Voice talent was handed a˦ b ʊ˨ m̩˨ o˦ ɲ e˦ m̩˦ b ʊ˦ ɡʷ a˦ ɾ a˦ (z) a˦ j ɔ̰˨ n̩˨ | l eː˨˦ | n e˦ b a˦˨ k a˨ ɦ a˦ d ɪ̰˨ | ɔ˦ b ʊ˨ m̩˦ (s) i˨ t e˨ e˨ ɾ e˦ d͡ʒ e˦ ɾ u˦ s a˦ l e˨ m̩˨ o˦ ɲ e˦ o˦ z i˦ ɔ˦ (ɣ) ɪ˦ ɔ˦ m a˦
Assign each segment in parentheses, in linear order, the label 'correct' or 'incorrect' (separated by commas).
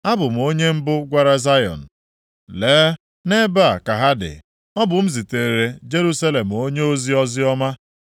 correct, incorrect, incorrect